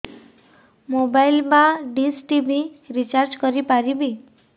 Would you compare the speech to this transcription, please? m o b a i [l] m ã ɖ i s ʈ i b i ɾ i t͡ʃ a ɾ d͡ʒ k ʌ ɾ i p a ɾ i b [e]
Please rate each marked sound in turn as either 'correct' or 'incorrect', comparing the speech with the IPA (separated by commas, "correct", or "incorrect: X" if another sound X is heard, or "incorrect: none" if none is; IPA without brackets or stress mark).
correct, incorrect: i